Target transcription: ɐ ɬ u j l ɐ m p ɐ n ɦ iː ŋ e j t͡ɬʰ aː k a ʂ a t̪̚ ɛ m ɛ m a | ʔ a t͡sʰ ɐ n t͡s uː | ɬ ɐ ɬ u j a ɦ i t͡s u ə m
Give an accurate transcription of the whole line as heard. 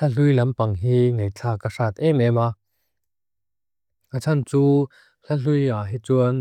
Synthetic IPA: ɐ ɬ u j l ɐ m p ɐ ŋ ɦ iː ŋ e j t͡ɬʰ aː k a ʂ a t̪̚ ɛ m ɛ m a | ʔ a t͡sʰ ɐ n t͡s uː | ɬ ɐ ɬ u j a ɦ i t͡s u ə n